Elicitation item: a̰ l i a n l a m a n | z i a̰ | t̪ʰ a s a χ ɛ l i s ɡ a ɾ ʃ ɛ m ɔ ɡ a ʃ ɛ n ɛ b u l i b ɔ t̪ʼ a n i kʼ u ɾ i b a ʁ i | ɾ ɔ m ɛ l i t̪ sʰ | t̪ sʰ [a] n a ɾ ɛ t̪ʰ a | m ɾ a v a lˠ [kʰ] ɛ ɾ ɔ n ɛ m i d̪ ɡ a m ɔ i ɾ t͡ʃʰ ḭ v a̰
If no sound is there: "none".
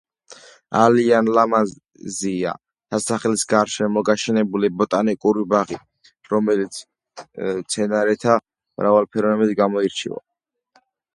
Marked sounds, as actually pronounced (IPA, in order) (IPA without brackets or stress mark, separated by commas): ɛ, pʰ